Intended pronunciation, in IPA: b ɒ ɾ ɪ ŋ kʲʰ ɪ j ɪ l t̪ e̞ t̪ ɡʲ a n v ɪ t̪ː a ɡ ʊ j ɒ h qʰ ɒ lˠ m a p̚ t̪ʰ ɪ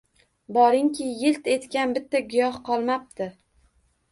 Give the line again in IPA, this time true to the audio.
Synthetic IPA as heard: b ɒ ɾ ɪ ŋ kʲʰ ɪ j ɪ l t̪ e̞ t̪ kʲ a n b ɪ t̪ː a ɡ ʊ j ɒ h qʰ ɒ lˠ m a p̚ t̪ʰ ɪ